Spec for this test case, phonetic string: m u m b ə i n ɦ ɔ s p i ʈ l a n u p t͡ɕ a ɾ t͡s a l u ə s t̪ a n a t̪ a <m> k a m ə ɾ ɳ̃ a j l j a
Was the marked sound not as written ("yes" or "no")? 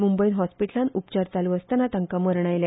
yes